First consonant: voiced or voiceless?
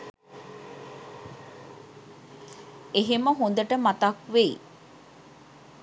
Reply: voiced